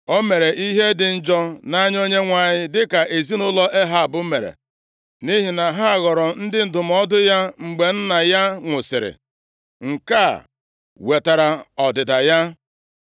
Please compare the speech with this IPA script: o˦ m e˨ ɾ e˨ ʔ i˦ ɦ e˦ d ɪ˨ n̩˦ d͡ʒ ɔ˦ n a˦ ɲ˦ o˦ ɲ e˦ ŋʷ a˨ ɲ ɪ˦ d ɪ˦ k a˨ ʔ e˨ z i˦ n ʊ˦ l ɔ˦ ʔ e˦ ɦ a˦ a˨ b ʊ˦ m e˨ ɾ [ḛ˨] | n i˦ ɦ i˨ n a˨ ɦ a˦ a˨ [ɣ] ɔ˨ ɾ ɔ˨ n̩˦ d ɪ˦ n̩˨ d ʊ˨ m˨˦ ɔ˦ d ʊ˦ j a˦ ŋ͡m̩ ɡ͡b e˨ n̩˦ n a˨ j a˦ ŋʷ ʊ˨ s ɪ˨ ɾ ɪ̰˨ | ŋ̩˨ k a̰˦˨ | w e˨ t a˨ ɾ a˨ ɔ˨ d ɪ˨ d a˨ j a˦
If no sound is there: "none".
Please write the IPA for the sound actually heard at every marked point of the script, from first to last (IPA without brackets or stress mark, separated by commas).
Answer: ḛ˨, ɣ